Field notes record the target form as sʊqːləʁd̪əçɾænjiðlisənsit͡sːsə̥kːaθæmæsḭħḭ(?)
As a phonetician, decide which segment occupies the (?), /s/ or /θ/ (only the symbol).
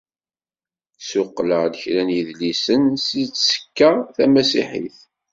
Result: θ